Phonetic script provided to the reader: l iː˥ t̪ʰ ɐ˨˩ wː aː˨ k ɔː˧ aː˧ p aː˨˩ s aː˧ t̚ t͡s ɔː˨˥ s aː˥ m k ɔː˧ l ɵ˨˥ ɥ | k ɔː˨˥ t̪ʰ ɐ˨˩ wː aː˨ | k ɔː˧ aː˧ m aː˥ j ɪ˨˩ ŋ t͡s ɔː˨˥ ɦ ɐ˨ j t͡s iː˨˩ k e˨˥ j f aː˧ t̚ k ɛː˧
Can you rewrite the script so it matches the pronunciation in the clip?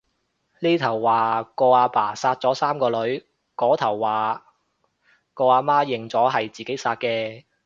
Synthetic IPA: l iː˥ t̪ʰ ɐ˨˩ wː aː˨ k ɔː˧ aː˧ p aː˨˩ s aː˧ t̚ t͡s ɔː˨˥ s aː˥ m k ɔː˧ l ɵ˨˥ ɥ | k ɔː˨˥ t̪ʰ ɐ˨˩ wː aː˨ | k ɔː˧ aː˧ m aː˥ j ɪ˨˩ ŋ t͡s ɔː˨˥ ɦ ɐ˨ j t͡s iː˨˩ k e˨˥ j s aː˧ t̚ k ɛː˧